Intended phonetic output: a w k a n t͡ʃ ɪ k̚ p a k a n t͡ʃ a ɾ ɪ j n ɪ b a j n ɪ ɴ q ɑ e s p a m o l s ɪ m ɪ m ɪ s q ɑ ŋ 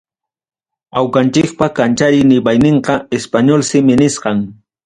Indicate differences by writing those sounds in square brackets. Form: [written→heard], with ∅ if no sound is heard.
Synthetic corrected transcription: a w k a n t͡ʃ ɪ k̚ p a k a n t͡ʃ a ɾ ɪ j n ɪ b a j n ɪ ɴ q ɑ e s p a [m→ɲ] o l s ɪ m ɪ [m→n] ɪ s q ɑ ŋ